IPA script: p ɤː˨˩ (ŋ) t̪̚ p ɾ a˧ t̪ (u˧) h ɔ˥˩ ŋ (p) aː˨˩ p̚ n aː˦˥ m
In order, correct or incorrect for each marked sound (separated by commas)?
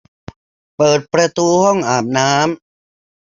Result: incorrect, incorrect, incorrect